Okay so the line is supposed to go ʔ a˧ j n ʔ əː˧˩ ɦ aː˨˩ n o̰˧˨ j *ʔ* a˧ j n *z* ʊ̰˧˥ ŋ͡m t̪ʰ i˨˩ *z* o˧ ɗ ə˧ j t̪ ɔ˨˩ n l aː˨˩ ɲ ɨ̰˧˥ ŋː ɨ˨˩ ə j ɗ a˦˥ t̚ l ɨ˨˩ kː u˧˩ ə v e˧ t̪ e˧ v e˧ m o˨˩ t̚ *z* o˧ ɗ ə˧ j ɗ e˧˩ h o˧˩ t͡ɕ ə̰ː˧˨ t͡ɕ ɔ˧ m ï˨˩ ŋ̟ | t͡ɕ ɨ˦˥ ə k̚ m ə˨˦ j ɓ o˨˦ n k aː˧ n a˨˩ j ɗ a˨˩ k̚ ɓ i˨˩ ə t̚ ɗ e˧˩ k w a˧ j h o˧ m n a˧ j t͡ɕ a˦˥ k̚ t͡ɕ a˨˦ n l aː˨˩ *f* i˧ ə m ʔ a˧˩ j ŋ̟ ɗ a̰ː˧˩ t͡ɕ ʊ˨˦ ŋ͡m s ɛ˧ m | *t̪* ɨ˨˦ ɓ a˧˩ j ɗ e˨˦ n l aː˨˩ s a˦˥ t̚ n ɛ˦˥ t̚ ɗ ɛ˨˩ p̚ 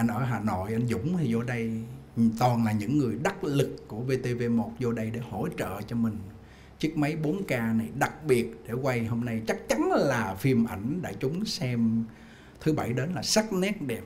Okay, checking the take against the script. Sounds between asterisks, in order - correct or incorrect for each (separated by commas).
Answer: correct, correct, correct, correct, correct, incorrect